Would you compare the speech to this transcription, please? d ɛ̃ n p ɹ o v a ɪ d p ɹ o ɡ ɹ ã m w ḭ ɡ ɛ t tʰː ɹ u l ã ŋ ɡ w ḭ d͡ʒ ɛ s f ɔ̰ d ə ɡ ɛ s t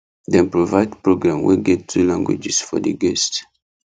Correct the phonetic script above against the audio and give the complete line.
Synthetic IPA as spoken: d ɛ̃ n p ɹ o v a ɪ d p ɹ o ɡ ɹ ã m w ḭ ɡ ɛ t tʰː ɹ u l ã ŋ ɡ w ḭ d͡ʒ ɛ s f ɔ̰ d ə ɡ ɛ s t